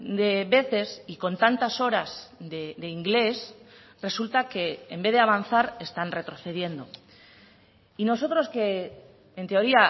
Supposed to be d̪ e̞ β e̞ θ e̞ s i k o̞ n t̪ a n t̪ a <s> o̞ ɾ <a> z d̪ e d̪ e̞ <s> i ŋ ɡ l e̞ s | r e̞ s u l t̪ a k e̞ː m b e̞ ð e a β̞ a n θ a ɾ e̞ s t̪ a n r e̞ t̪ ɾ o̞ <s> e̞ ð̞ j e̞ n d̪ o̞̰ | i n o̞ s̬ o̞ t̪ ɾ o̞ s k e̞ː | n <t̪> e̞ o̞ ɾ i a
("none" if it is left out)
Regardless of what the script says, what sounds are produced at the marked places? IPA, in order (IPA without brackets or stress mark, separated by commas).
s, a, none, θ, t̪